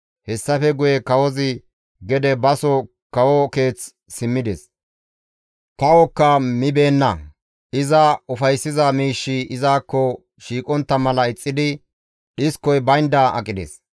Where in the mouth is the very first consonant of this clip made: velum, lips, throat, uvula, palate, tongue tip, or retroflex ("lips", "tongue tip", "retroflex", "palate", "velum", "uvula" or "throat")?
throat